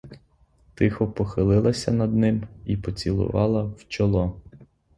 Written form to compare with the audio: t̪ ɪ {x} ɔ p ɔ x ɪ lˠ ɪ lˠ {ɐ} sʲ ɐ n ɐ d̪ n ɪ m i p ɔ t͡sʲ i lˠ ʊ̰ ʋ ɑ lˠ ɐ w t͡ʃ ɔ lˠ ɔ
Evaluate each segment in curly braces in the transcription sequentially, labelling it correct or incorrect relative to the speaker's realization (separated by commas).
correct, correct